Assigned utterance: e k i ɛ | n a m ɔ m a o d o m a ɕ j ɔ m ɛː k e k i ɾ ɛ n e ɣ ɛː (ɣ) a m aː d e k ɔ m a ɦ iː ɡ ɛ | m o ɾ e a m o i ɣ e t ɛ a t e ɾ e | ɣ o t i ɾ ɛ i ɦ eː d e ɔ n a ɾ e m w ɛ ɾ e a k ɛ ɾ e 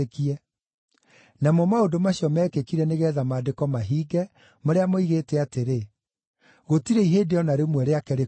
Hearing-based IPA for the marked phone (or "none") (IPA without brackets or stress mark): ð